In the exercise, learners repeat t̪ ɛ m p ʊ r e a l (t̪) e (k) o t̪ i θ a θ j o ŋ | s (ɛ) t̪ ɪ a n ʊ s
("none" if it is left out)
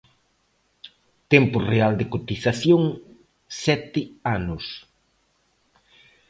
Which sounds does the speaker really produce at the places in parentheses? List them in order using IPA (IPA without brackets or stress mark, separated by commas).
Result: d̪, k, ɛ